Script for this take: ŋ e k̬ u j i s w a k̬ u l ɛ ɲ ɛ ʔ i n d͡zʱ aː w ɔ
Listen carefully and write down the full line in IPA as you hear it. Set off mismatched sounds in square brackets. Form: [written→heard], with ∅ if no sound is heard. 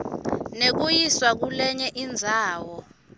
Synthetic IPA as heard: [ŋ→n] e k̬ u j i s w a k̬ u l ɛ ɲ ɛ ʔ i n d͡zʱ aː w ɔ